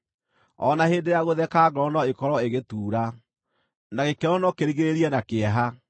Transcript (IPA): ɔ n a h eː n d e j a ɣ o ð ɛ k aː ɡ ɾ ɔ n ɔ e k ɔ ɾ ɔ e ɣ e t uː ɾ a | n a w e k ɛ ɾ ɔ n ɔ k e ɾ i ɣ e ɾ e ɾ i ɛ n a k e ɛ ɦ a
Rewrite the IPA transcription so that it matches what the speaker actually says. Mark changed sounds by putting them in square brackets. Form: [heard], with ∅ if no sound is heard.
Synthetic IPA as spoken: ɔ n a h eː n d e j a ɣ o ð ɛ k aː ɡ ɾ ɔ n ɔ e k ɔ ɾ ɔ e ɣ e t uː ɾ a | n a [ɣ] e k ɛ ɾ ɔ n ɔ k e ɾ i ɣ e ɾ e ɾ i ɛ n a k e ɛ ɦ a